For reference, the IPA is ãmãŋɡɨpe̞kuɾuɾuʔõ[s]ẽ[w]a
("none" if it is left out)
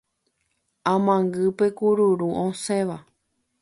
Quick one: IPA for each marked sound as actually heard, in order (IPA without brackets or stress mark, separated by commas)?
s, ʋ